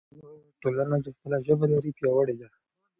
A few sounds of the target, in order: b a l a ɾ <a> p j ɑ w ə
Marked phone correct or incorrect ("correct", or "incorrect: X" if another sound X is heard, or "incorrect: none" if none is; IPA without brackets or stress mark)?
incorrect: i